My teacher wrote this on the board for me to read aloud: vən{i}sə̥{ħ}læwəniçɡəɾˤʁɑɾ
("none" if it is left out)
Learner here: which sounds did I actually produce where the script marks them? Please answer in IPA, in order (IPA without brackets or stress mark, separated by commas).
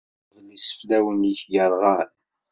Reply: i, f